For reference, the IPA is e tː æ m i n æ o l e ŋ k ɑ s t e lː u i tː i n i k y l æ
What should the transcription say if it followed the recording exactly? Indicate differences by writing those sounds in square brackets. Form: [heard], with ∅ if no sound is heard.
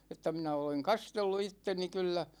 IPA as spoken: e tː æ m i n æ o l e ŋ k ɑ s t e lː u i tː [e] n i k y [lː] æ